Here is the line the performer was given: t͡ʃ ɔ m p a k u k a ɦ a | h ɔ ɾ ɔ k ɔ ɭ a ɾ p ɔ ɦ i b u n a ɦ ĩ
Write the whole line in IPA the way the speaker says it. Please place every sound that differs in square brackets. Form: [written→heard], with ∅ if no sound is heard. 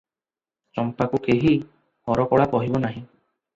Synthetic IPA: t͡ʃ ɔ m p a k u k [a→e] ɦ [a→i] | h ɔ ɾ ɔ k ɔ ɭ a [ɾ→∅] p ɔ ɦ i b [u→ɔ] n a ɦ ĩ